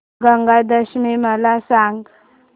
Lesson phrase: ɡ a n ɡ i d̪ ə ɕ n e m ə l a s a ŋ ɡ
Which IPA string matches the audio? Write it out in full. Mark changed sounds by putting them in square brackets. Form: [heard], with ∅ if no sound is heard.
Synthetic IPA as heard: ɡ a [ŋ] ɡ [a] d̪ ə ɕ [m] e m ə l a s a ŋ ɡ